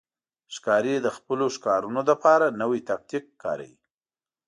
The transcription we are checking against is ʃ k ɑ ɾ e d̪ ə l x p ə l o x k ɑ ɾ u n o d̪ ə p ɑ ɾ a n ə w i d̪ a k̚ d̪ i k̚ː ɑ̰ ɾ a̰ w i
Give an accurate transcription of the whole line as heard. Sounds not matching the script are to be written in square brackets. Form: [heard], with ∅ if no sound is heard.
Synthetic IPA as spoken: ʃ k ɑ ɾ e d̪ ə [∅] x p ə l o [ʃ] k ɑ ɾ u n o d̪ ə p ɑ ɾ a n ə w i [t̪] a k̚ [t̪] i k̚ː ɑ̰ ɾ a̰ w i

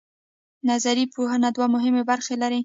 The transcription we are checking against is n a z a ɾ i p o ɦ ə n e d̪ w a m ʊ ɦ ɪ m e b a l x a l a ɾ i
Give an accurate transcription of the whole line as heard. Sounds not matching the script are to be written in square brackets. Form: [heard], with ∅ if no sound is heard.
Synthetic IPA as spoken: n a z a ɾ i p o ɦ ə n [a] d̪ w a m ʊ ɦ ɪ m e b a [ɾ] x [e] l a ɾ i

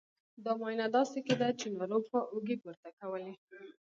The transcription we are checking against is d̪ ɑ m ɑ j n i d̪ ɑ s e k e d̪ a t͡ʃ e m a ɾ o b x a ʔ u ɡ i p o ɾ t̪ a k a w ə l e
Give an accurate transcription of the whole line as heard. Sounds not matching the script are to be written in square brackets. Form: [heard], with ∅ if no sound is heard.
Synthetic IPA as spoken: d̪ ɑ m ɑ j n [a] d̪ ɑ s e k e d̪ a t͡ʃ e [n] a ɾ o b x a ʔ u ɡ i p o ɾ t̪ a k a w ə l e

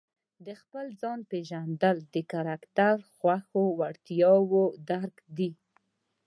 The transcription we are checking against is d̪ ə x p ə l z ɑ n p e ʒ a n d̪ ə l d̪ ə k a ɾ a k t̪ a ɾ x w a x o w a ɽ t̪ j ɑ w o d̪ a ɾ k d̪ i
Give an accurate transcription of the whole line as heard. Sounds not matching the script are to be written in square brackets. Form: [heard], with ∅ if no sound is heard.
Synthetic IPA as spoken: d̪ ə x p ə l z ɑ n p e ʒ a n d̪ ə l d̪ ə k a ɾ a k t̪ a ɾ x w a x o w a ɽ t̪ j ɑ w o d̪ a ɾ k d̪ i

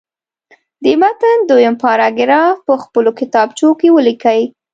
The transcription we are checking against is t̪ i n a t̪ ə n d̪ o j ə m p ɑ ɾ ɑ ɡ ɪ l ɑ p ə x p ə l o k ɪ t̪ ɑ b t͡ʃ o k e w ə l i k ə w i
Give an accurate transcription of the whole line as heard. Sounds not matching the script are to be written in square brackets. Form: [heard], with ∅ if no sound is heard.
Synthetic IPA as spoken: [d̪] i [m] a t̪ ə n d̪ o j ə m p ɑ ɾ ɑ ɡ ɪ [ɾ] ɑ p ə x p ə l o k ɪ t̪ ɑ b t͡ʃ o k e w ə l i k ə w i

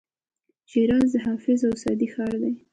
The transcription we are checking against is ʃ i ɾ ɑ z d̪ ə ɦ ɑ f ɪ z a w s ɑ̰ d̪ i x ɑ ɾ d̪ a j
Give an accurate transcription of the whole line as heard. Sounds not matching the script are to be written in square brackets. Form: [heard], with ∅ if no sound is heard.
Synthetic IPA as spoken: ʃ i ɾ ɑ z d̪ ə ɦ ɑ f ɪ z a w s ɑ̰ d̪ i x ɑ ɾ d̪ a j

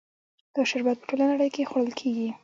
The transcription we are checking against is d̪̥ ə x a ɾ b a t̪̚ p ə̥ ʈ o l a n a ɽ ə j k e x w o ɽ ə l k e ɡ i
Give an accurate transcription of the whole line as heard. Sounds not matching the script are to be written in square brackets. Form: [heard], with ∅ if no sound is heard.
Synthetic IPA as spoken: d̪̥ ə [ʃ] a ɾ b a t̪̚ p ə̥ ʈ o l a n a ɽ ə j k e x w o ɽ ə l [kʰ] e ɡ i

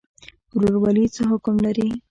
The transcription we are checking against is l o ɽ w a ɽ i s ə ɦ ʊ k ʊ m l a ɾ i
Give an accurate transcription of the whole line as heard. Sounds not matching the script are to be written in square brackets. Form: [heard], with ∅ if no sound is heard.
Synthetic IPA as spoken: [ɾ] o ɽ w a [l] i [t͡s] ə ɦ ʊ k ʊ m l a ɾ i

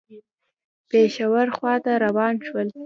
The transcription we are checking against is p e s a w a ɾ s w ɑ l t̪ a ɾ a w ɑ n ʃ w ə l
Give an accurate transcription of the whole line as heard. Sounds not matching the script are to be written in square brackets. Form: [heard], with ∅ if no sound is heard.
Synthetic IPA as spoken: p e [ʃ] a w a ɾ [x] w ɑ [∅] t̪ a ɾ a w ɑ n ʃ w ə l

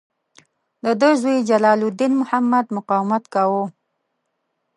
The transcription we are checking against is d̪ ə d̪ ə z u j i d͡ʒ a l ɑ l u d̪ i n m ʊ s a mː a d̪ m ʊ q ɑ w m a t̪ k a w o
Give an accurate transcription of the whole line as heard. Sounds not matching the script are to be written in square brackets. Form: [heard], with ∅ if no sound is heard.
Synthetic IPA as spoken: d̪ ə d̪ ə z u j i d͡ʒ a l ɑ l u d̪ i n m ʊ [h] a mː a d̪ m ʊ q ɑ w m a t̪ k a w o

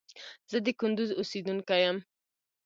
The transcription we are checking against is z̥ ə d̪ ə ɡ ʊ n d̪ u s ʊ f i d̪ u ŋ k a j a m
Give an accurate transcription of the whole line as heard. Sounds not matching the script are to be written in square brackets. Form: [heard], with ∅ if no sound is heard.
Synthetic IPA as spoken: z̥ ə d̪ ə [k] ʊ n d̪ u [z] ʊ [s] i d̪ u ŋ k a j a m

